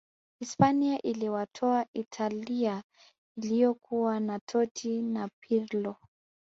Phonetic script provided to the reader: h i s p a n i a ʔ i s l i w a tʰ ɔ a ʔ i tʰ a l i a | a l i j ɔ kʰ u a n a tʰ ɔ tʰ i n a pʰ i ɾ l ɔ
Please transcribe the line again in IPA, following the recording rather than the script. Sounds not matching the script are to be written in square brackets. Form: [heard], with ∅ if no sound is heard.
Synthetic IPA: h i s p a n i a ʔ i [∅] l i w a tʰ ɔ a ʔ i tʰ a l i a | [i] l i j ɔ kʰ u a n a tʰ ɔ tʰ i n a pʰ i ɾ l ɔ